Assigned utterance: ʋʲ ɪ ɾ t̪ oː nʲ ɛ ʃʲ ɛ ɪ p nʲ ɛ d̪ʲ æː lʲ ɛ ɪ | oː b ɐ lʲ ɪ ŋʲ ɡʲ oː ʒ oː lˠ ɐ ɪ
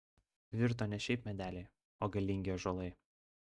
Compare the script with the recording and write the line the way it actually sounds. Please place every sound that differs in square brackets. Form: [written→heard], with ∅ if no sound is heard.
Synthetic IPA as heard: ʋʲ ɪ ɾ t̪ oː nʲ ɛ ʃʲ ɛ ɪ p [nʲ→mʲ] ɛ d̪ʲ æː lʲ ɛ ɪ | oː [b→ɡ] ɐ lʲ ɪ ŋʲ ɡʲ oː ʒ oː lˠ ɐ ɪ